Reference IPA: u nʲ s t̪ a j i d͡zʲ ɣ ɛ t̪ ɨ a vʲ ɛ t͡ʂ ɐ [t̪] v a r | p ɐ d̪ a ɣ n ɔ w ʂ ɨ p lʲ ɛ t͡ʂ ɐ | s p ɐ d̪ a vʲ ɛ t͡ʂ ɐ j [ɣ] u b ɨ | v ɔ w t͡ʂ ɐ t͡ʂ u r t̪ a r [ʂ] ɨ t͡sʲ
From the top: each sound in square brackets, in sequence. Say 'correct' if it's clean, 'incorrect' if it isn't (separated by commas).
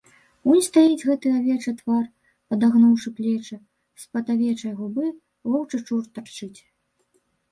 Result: correct, correct, incorrect